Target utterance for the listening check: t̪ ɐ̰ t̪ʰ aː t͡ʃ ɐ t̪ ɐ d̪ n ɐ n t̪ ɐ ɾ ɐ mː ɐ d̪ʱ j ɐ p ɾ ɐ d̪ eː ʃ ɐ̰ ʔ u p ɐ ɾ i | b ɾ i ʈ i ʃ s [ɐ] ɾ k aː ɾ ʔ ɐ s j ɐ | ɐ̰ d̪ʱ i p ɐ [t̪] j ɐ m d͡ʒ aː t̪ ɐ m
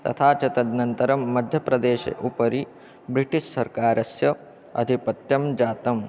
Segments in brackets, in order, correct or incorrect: correct, correct

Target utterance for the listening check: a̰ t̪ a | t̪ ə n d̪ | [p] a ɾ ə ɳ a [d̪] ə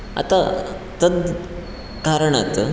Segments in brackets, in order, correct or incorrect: incorrect: k, incorrect: t̪

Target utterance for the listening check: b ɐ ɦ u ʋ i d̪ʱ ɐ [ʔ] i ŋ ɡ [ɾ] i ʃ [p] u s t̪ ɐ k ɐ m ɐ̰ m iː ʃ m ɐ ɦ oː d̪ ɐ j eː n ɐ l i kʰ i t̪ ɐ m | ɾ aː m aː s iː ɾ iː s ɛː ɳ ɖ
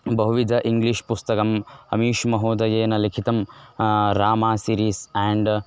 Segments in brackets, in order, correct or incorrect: correct, incorrect: l, correct

